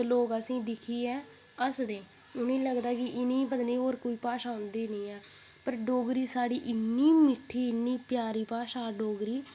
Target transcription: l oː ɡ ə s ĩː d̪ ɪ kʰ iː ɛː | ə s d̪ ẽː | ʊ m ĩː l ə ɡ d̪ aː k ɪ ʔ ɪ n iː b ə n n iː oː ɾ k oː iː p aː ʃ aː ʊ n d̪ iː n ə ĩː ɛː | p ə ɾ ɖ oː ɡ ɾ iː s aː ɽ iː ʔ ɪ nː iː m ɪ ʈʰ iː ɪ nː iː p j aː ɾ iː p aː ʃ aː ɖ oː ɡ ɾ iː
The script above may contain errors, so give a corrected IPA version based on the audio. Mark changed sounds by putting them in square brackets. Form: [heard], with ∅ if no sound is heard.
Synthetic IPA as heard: l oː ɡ ə s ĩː d̪ ɪ kʰ iː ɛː | ə s d̪ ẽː | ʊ [n] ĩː l ə ɡ d̪ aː k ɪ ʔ ɪ n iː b ə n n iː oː ɾ k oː iː p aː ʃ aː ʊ n d̪ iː n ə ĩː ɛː | p ə ɾ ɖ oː ɡ ɾ iː s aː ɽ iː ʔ ɪ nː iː m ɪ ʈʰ iː ɪ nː iː p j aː ɾ iː p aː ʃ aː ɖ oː ɡ ɾ iː

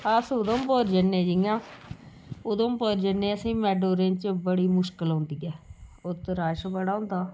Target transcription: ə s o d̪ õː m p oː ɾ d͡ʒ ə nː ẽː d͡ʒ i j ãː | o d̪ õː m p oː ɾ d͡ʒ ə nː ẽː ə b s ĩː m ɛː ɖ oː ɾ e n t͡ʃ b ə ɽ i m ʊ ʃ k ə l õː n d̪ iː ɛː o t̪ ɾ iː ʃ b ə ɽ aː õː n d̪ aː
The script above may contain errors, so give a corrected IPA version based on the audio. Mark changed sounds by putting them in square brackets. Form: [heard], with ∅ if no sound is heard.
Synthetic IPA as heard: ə s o d̪ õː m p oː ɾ d͡ʒ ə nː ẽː d͡ʒ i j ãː | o d̪ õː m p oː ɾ d͡ʒ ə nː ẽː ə [∅] s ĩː m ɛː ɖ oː ɾ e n t͡ʃ b ə ɽ [iː] m ʊ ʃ k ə l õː n d̪ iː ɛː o t̪ ɾ [aː] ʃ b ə ɽ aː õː n d̪ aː

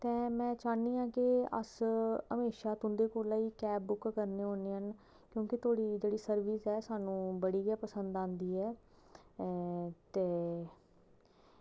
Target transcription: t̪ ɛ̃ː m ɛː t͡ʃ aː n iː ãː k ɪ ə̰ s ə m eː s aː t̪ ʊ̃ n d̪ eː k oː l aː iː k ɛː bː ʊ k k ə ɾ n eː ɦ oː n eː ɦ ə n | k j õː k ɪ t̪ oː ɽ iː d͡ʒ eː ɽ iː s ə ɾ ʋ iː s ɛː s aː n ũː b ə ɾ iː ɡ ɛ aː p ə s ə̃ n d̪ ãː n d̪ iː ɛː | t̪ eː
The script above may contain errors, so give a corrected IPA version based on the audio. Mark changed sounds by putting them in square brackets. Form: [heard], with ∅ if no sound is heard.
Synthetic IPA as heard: t̪ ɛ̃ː m [ɛ̃ː] t͡ʃ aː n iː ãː k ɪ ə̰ s ə m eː [ʃ] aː t̪ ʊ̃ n d̪ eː k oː l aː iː k ɛː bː ʊ k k ə ɾ n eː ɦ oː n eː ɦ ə n | k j õː k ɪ t̪ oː ɽ iː d͡ʒ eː ɽ iː s ə ɾ ʋ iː s ɛː s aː n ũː b ə [ɽ] iː ɡ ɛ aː p ə s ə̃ n d̪ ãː n d̪ iː ɛː | t̪ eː

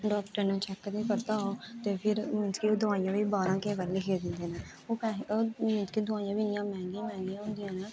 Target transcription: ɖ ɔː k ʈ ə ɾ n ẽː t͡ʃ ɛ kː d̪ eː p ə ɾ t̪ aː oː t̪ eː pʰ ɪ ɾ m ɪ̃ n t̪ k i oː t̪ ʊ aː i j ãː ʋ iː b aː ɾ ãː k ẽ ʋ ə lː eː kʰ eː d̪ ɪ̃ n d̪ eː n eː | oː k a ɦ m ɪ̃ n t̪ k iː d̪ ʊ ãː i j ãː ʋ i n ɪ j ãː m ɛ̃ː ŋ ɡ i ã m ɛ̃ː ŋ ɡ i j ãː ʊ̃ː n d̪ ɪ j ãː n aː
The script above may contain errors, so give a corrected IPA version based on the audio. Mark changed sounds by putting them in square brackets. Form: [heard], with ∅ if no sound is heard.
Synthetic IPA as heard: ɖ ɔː k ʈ ə ɾ n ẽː t͡ʃ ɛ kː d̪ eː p ə ɾ t̪ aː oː t̪ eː pʰ ɪ ɾ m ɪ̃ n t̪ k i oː [d̪] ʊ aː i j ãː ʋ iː b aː ɾ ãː k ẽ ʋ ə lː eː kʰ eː d̪ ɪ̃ n d̪ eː n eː | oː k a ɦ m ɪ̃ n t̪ k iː d̪ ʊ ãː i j ãː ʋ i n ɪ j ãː m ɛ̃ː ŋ ɡ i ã m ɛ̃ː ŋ ɡ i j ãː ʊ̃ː n d̪ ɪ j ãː n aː

